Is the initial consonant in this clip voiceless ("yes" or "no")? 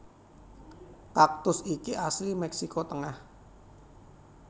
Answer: yes